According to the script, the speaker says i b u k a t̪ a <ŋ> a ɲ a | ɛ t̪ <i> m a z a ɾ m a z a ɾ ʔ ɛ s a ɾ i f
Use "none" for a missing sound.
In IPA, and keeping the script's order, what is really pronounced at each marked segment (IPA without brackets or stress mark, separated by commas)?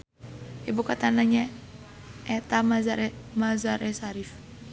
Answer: n, a